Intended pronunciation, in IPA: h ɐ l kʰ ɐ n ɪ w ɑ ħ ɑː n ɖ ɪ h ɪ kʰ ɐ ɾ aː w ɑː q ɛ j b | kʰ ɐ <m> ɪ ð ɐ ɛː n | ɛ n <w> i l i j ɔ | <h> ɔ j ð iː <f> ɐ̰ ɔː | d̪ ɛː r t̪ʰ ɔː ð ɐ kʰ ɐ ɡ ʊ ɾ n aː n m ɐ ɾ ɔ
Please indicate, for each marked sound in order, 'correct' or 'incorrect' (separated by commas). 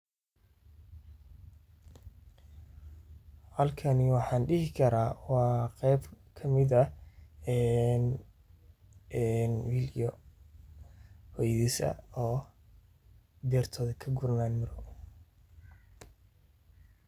correct, correct, correct, incorrect